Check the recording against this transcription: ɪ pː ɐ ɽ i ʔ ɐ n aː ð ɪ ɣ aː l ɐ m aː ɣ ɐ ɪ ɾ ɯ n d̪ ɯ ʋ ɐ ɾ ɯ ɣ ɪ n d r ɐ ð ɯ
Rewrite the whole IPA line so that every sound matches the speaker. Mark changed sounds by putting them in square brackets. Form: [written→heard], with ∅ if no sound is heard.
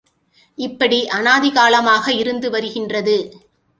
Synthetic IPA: ɪ pː ɐ ɽ i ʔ ɐ n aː ð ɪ ɣ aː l ɐ m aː ɣ ɐ ɪ ɾ ɯ n d̪ ɯ ʋ ɐ ɾ ɯ ɣ ɪ n d r ɐ ð ɯ

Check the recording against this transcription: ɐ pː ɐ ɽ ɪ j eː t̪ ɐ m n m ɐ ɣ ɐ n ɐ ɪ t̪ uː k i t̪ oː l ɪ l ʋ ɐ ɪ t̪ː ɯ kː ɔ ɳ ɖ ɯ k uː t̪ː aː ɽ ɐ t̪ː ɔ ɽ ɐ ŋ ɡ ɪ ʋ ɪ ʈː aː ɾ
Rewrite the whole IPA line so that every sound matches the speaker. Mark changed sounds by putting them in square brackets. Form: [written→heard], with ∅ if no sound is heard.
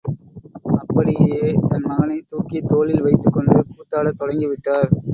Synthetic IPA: ɐ pː ɐ ɽ ɪ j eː t̪ ɐ [m→∅] n m ɐ ɣ ɐ n ɐ ɪ t̪ uː k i t̪ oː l ɪ l ʋ ɐ ɪ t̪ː ɯ kː ɔ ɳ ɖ ɯ k uː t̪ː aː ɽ ɐ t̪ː ɔ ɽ ɐ ŋ ɡ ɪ ʋ ɪ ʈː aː ɾ

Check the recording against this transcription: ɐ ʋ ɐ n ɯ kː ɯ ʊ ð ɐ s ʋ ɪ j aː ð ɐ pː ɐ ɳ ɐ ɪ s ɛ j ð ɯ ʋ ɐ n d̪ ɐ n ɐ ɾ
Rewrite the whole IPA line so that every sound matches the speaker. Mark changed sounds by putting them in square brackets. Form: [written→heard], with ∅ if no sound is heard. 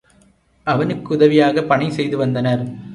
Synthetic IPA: ɐ ʋ ɐ n ɯ kː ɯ ʊ ð ɐ [s→∅] ʋ ɪ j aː [ð→ɣ] ɐ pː ɐ ɳ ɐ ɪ s ɛ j ð ɯ ʋ ɐ n d̪ ɐ n ɐ ɾ

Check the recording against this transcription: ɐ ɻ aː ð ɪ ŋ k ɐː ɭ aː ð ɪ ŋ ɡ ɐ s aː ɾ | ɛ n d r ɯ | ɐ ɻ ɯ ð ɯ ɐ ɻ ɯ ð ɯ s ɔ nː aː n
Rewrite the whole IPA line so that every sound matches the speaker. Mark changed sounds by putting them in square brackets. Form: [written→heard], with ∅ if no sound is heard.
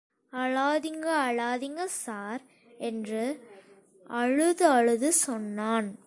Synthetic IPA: ɐ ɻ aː ð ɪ ŋ [k→ɡ] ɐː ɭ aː ð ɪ ŋ ɡ ɐ s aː ɾ | ɛ n d r ɯ | ɐ ɻ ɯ ð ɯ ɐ ɻ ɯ ð ɯ s ɔ nː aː n

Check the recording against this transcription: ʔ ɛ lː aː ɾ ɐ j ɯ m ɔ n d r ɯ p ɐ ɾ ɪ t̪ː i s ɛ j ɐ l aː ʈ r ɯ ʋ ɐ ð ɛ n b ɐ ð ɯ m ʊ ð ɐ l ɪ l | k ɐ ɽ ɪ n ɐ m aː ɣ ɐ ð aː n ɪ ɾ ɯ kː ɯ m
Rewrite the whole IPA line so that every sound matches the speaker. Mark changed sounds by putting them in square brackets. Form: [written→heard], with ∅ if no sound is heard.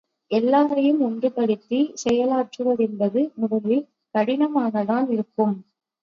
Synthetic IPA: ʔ ɛ lː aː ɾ ɐ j ɯ m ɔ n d r ɯ p ɐ [ɾ→ɽ] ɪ t̪ː i s ɛ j ɐ l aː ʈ r ɯ ʋ ɐ ð ɛ n b ɐ ð ɯ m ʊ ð ɐ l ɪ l | k ɐ ɽ ɪ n ɐ m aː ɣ ɐ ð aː n ɪ ɾ ɯ kː ɯ m

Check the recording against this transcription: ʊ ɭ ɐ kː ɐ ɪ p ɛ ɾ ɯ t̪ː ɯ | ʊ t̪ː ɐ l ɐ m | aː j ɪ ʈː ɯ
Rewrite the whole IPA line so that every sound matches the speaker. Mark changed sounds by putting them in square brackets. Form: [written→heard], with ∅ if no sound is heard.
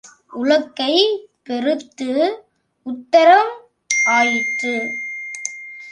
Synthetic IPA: ʊ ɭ ɐ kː ɐ ɪ p ɛ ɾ ɯ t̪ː ɯ | ʊ t̪ː ɐ [l→ɾ] ɐ m | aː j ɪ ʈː ɯ

